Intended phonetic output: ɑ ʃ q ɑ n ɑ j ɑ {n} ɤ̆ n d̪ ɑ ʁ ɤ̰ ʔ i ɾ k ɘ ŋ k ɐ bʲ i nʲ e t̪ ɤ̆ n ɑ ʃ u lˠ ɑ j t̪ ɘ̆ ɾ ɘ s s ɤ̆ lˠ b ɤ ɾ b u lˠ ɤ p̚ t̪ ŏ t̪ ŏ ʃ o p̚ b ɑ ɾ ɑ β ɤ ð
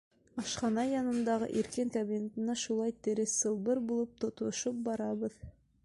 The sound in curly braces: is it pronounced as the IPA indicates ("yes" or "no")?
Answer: yes